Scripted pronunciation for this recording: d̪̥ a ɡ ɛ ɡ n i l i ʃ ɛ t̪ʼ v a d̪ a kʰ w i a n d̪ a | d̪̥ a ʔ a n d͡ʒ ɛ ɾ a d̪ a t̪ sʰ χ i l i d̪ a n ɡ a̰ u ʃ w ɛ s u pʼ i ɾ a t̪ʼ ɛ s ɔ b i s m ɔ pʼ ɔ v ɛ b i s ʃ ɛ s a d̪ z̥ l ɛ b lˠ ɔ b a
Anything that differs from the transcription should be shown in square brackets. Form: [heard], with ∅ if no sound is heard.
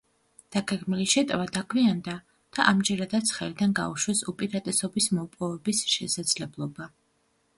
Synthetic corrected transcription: d̪̥ a ɡ ɛ ɡ [m] i l i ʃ ɛ t̪ʼ v a d̪ a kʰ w i a n d̪ a | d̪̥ a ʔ a [m] d͡ʒ ɛ ɾ a d̪ a t̪ sʰ χ [ɛ] l i d̪ a n ɡ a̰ u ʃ w ɛ s u pʼ i ɾ a t̪ʼ ɛ s ɔ b i s m ɔ pʼ ɔ v ɛ b i s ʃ ɛ s a d̪ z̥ l ɛ b lˠ ɔ b a